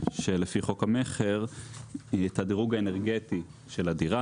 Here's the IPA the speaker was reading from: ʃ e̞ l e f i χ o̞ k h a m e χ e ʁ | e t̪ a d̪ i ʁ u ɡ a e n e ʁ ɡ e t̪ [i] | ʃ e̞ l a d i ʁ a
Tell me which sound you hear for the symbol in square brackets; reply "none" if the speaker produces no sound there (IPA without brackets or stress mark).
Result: i